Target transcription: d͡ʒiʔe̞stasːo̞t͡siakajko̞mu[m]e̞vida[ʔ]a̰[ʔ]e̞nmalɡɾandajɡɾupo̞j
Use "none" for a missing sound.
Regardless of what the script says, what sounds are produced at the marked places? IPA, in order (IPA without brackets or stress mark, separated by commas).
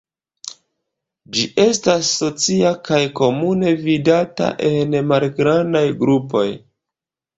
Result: n, t, ʔ